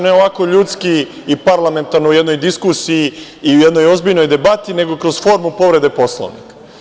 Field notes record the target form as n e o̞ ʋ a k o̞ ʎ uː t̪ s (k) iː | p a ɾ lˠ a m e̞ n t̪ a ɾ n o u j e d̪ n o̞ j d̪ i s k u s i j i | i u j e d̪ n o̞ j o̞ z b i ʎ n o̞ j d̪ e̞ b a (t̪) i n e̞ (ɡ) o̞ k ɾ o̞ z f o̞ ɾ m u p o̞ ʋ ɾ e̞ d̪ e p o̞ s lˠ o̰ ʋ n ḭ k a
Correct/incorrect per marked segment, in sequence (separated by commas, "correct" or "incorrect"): correct, correct, correct